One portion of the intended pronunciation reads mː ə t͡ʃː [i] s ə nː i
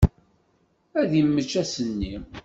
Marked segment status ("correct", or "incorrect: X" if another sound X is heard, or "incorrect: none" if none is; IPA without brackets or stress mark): incorrect: æ